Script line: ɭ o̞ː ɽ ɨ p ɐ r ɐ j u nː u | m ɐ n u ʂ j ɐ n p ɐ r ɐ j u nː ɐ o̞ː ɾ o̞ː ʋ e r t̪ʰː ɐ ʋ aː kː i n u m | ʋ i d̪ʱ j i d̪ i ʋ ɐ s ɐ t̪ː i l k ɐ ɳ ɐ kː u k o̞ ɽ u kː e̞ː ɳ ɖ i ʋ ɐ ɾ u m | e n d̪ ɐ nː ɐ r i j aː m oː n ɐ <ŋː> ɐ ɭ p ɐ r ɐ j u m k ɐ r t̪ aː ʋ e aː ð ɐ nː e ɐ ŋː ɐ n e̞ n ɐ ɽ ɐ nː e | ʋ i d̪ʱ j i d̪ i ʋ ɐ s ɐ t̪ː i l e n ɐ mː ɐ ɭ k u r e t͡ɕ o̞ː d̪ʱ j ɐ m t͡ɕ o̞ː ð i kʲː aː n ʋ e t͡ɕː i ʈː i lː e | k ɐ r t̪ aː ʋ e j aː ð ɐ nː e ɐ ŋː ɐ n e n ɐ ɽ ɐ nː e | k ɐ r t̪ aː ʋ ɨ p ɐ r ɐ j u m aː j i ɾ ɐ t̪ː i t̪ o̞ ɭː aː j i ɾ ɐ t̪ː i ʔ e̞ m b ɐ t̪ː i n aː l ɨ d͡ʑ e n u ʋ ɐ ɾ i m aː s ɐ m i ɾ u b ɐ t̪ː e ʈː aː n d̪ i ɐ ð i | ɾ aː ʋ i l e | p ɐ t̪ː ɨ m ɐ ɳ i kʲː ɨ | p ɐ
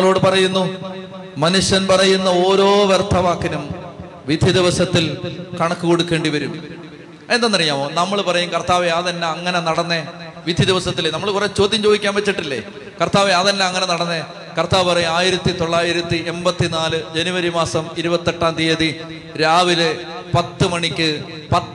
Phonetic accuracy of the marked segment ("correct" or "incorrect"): incorrect